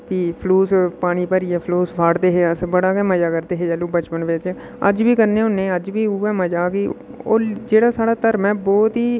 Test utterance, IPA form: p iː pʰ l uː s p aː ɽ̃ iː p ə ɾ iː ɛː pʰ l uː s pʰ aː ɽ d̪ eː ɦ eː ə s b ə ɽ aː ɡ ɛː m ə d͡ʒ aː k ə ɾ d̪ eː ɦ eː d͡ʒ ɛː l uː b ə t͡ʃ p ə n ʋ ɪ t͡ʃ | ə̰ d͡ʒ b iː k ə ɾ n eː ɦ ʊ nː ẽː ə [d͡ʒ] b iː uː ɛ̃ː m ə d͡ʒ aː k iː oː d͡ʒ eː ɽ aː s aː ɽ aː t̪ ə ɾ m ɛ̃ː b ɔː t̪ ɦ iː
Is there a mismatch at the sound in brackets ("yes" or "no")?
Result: no